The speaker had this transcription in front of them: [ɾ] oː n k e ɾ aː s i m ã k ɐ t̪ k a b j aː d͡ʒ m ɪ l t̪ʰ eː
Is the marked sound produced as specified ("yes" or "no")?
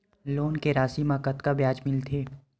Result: no